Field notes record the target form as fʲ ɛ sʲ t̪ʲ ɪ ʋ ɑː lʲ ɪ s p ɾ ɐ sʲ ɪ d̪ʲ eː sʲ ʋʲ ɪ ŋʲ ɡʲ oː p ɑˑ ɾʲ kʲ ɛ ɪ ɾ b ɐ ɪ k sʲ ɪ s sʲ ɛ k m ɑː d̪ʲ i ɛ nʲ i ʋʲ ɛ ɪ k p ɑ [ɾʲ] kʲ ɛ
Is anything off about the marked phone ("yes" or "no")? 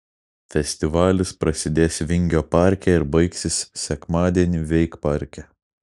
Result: no